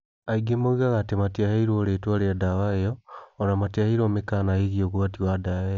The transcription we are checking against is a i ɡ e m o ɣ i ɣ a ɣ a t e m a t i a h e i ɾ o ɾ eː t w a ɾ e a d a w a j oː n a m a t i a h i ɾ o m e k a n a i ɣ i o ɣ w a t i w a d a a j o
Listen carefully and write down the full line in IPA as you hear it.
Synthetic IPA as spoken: a i ɡ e m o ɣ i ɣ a ɣ a t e m a t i a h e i ɾ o ɾ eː t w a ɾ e a d a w a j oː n a m a t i a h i ɾ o m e k a n a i ɣ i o ɣ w a t i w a d a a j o